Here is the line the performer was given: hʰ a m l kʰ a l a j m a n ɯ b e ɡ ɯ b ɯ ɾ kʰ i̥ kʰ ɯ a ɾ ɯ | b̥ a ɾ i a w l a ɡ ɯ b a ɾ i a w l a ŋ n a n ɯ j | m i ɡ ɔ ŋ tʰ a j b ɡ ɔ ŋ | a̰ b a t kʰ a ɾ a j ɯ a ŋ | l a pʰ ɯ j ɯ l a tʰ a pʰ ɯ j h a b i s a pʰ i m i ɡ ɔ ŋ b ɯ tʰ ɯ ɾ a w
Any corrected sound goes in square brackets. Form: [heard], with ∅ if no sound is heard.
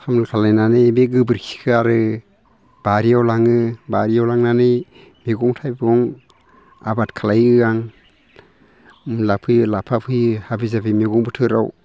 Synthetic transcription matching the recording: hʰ a m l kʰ a l a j [n] a n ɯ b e ɡ ɯ b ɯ ɾ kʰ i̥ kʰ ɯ a ɾ ɯ | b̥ a ɾ i a w l a [ŋ] ɯ b a ɾ i a w l a ŋ n a n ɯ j | m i ɡ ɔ ŋ tʰ a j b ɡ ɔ ŋ | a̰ b a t kʰ a [l] a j ɯ a ŋ | l a pʰ ɯ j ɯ l a [pʰ] a pʰ ɯ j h a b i [z] a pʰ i m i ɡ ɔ ŋ b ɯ tʰ ɯ ɾ a w

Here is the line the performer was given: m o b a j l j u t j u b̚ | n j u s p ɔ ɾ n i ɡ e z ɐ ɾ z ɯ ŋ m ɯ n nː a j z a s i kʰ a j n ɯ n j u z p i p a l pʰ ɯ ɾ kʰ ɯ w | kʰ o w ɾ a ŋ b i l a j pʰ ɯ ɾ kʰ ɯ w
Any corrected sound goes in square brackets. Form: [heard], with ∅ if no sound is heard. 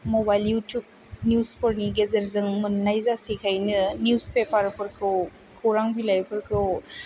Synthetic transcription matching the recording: m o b a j l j u t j u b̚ | n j u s p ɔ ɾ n i ɡ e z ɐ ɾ z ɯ ŋ m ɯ n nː a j z a s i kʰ a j n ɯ n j u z p [e] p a [ɾ] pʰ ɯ ɾ kʰ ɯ w | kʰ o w ɾ a ŋ b i l a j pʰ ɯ ɾ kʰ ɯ w

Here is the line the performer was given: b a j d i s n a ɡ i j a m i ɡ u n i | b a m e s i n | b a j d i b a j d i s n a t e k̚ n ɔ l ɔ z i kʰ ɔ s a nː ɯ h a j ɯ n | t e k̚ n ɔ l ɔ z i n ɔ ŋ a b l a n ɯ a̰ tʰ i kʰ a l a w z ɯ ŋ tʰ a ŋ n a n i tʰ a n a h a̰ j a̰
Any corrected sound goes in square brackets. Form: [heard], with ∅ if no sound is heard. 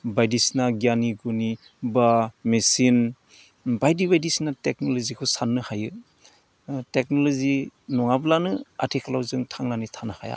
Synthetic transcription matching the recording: b a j d i s n a ɡ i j a [n] i ɡ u n i | b a m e s i n | b a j d i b a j d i s n a t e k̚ n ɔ l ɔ z i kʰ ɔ s a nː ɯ h a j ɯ [∅] | t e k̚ n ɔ l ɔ z i n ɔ ŋ a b l a n ɯ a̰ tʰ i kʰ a l a w z ɯ ŋ tʰ a ŋ n a n i tʰ a n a h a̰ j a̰

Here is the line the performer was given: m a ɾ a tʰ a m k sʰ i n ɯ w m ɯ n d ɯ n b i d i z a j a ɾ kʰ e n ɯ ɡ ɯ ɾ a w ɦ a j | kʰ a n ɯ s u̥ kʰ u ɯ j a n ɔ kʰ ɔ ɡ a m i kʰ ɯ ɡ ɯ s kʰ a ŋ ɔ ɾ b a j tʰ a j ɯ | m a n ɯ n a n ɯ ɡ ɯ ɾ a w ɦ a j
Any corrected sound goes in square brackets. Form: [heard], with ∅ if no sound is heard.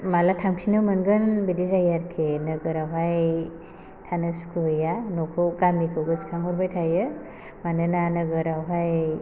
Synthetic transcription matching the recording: m a [l] a tʰ a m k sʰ i n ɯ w m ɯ n [ɡ] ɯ n b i d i z a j a ɾ kʰ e n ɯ ɡ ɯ ɾ a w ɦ a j | [tʰ] a n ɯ s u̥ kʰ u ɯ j a n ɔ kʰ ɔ ɡ a m i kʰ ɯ ɡ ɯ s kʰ a ŋ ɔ ɾ b a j tʰ a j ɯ | m a n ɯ n a n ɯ ɡ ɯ ɾ a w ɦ a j

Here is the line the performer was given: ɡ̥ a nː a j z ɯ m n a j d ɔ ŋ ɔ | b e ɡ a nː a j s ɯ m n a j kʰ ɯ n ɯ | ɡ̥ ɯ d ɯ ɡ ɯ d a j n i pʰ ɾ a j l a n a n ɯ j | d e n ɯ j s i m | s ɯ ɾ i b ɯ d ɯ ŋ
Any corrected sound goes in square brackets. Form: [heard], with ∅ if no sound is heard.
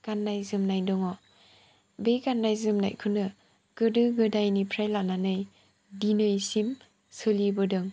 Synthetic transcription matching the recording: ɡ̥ a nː a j z ɯ m n a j d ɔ ŋ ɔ | b e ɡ a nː a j [z] ɯ m n a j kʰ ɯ n ɯ | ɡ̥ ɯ d ɯ ɡ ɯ d a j n i pʰ ɾ a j l a n a n ɯ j | d [i] n ɯ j s i m | s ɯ [l] i b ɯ d ɯ ŋ

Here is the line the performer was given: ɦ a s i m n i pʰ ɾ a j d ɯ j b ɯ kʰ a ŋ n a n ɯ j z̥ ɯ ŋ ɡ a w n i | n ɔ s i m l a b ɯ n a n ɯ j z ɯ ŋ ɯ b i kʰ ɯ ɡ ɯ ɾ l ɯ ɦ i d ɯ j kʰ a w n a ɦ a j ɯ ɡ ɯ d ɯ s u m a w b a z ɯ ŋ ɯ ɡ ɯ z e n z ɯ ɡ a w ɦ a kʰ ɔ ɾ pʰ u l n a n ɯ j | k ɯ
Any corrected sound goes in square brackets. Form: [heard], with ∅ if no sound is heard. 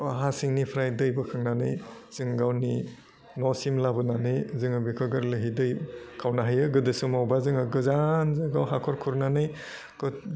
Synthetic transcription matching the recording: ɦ a s i [ŋ] n i pʰ ɾ a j d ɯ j b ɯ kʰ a ŋ n a n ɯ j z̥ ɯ ŋ ɡ a w n i | n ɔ s i m l a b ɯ n a n ɯ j z ɯ ŋ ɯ b i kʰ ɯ ɡ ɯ ɾ l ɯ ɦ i d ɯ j kʰ a w n a ɦ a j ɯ ɡ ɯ d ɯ s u m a w b a z ɯ ŋ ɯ ɡ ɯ z [a] n z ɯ ɡ a w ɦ a kʰ ɔ ɾ [kʰ] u [ɾ] n a n ɯ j | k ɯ

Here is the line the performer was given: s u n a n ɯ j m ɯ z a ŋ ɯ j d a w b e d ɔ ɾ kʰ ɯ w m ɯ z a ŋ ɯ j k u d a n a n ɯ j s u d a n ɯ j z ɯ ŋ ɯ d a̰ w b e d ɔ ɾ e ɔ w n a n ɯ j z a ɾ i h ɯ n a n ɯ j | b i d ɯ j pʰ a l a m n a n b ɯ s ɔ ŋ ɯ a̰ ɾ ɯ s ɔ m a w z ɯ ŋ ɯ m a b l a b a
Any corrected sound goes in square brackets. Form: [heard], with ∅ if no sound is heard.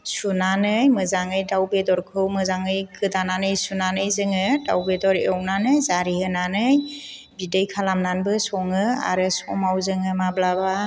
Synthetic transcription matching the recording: s u n a n ɯ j m ɯ z a ŋ ɯ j d a w b e d ɔ ɾ kʰ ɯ w m ɯ z a ŋ ɯ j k [ɯ] d a n a n ɯ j s u [n] a n ɯ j z ɯ ŋ ɯ d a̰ w b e d ɔ ɾ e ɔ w n a n ɯ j z a ɾ i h ɯ n a n ɯ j | b i d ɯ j [kʰ] a l a m n a n b ɯ s ɔ ŋ ɯ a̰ ɾ ɯ s ɔ m a w z ɯ ŋ ɯ m a b l a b a

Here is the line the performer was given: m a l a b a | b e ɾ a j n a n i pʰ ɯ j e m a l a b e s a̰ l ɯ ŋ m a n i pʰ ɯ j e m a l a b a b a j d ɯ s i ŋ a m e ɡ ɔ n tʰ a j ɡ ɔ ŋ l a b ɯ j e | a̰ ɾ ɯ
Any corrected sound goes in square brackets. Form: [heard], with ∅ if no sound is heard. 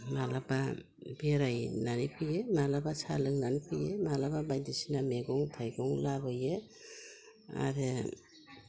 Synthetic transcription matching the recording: m a l a b a | b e ɾ a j n a n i pʰ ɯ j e m a l a b [a] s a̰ l ɯ ŋ [n] a n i pʰ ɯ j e m a l a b a b a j d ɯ s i [n] a m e ɡ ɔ [ŋ] tʰ a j ɡ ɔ ŋ l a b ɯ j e | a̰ ɾ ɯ

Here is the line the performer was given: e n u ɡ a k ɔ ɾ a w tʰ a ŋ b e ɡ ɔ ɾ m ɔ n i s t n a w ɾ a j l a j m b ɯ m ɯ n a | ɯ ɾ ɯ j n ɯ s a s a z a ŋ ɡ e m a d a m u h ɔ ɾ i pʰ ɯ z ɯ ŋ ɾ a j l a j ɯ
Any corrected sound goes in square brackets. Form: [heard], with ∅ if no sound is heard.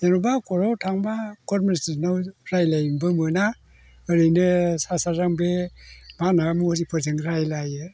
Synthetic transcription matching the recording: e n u [b] a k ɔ ɾ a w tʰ a ŋ b [a] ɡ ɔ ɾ m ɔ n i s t n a w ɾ a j l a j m b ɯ m ɯ n a | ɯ ɾ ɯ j n ɯ s a s a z a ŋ [b] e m a [n] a m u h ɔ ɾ i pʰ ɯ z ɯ ŋ ɾ a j l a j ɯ

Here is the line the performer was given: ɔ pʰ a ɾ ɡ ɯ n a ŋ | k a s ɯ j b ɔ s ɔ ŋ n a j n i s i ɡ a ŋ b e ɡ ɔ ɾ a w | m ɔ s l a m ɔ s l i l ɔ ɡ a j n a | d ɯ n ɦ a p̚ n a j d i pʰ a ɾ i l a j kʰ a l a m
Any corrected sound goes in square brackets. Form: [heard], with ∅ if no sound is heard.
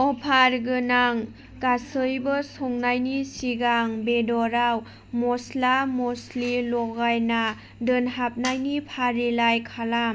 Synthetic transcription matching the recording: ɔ pʰ a ɾ ɡ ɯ n a ŋ | k a s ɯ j b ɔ s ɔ ŋ n a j n i s i ɡ a ŋ b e [d] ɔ ɾ a w | m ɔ s l a m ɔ s l i l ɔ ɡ a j n a | d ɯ n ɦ a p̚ n a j [n] i pʰ a ɾ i l a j kʰ a l a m

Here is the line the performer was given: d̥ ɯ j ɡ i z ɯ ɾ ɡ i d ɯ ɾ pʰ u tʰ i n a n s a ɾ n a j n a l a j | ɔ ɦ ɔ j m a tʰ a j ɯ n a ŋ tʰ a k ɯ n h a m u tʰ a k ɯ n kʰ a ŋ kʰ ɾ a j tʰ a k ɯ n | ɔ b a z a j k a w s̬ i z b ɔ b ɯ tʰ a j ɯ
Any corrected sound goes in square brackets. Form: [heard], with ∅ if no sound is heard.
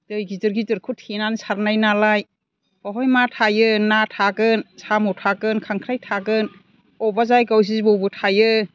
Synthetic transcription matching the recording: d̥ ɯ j ɡ i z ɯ ɾ ɡ i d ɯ ɾ [kʰ] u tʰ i n a n s a ɾ n a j n a l a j | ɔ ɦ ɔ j m a tʰ a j ɯ n a [∅] tʰ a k ɯ n [s] a m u tʰ a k ɯ n kʰ a ŋ kʰ ɾ a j tʰ a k ɯ n | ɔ b a z a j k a w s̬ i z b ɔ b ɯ tʰ a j ɯ

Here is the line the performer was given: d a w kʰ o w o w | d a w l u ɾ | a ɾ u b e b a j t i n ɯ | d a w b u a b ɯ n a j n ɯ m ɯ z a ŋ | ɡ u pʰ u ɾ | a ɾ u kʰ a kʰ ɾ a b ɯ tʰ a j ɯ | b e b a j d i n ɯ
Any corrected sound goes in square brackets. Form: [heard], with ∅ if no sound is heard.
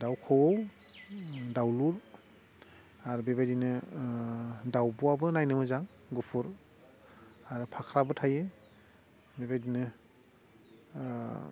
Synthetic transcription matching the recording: d a w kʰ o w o w | d a w l u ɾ | a ɾ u b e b a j [d] i n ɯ | d a w b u a b ɯ n a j n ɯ m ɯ z a ŋ | ɡ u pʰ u ɾ | a ɾ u [pʰ] a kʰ ɾ a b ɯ tʰ a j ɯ | b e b a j d i n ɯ

